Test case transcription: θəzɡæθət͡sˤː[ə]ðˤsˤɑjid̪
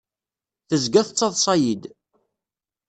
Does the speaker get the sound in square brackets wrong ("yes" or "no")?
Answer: yes